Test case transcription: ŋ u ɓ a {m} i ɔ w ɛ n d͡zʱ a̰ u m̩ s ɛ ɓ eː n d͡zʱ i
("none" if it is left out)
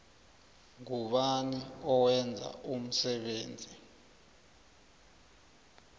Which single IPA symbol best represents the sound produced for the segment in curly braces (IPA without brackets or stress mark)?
n